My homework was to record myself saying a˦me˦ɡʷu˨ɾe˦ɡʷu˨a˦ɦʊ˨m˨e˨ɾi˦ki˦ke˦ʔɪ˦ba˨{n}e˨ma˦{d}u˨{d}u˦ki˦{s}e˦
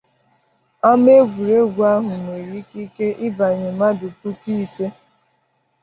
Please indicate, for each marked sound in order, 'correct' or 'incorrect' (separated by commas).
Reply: incorrect, correct, incorrect, correct